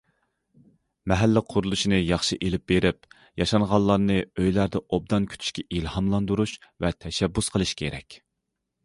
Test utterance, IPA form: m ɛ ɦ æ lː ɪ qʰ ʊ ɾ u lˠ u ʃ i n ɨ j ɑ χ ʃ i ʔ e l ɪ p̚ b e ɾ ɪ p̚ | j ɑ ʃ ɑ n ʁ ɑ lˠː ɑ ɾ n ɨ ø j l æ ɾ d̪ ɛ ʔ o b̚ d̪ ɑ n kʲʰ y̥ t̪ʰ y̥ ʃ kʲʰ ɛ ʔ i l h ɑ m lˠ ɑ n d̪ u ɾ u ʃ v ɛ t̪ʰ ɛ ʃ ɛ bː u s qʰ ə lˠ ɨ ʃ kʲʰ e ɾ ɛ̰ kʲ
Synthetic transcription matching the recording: m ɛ ɦ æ lː ɪ qʰ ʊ ɾ u lˠ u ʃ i n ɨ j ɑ χ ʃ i ʔ e l ɪ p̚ b e ɾ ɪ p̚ | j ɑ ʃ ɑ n ʁ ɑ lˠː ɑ ɾ n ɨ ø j l æ ɾ d̪ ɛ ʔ o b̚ d̪ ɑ n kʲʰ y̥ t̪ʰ y̥ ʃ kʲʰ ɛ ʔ i l h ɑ m lˠ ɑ n d̪ u ɾ u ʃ v ɛ t̪ʰ ɛ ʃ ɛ bː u s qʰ ə lˠ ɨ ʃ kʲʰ e ɾ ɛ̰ kʲ